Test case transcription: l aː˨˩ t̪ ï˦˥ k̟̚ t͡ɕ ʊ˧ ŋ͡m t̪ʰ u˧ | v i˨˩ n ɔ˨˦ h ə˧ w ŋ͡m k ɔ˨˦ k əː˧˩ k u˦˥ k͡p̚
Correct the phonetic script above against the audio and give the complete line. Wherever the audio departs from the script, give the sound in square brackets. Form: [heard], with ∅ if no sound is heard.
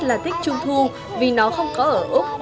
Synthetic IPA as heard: l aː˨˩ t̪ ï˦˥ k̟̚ t͡ɕ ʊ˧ ŋ͡m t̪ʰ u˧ | v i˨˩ n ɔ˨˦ [x] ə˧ w ŋ͡m k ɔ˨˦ [ʔ] əː˧˩ [ʔ] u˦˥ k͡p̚

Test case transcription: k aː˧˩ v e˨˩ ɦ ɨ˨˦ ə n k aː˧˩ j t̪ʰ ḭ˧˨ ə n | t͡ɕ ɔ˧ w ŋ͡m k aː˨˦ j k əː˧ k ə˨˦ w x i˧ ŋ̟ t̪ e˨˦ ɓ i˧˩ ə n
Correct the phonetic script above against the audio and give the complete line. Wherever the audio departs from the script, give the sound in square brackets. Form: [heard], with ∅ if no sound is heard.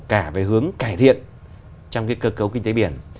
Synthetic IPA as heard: k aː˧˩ v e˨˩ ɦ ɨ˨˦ ə [ŋ] k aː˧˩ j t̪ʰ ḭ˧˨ ə n | t͡ɕ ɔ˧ w ŋ͡m k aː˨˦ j k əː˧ k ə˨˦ w [k] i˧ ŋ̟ t̪ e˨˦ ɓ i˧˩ ə n

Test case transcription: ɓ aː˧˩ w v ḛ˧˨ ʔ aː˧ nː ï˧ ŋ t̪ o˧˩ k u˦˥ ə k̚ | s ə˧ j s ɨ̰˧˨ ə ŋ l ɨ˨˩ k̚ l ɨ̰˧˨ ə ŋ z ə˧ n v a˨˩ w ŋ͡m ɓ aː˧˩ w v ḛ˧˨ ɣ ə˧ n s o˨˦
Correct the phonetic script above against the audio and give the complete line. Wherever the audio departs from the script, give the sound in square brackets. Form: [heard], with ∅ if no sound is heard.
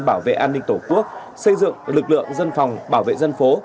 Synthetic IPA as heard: ɓ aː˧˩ w v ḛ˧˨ ʔ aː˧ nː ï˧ ŋ t̪ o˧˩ k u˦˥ ə k̚ | s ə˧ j [z] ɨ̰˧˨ ə ŋ l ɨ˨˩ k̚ l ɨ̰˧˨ ə ŋ z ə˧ n [f] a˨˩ w ŋ͡m ɓ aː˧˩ w v ḛ˧˨ [z] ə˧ n [f] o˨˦

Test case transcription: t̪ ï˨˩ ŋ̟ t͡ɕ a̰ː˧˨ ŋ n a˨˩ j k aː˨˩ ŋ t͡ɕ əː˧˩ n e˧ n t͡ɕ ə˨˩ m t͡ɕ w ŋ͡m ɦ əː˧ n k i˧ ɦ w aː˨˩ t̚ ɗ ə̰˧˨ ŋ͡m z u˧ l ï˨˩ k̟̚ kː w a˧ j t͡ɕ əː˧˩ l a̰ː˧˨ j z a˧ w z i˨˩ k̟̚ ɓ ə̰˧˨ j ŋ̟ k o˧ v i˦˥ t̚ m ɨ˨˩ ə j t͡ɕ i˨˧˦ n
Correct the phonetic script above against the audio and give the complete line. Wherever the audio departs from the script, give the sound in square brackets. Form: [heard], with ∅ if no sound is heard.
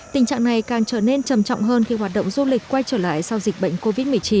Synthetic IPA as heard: t̪ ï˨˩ ŋ̟ t͡ɕ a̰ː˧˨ ŋ n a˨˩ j k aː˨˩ ŋ t͡ɕ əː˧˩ n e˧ n t͡ɕ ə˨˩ m t͡ɕ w ŋ͡m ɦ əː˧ n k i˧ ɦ w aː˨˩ t̚ ɗ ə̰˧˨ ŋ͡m z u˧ l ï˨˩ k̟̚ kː w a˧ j t͡ɕ əː˧˩ l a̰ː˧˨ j [s] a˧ w z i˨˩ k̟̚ ɓ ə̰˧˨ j ŋ̟ k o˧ v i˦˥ t̚ m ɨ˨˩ ə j t͡ɕ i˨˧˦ n

